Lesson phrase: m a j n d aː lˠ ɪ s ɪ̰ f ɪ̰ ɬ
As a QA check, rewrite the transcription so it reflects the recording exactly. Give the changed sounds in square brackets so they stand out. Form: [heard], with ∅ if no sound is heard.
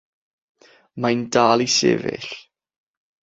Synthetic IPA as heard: m a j n d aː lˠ [i] s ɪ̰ [v] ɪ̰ ɬ